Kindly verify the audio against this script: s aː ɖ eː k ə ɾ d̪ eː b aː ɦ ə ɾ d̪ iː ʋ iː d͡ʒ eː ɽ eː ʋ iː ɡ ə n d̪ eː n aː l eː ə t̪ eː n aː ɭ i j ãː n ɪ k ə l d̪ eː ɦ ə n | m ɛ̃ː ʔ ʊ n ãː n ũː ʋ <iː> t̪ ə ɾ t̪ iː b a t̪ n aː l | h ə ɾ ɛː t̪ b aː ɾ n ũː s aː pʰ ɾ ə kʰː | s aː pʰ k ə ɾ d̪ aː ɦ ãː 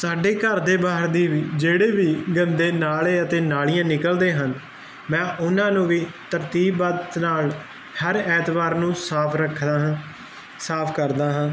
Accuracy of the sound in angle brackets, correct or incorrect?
correct